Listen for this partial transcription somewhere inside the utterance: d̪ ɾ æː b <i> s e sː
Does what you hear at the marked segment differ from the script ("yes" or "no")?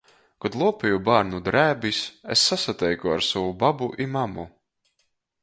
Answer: no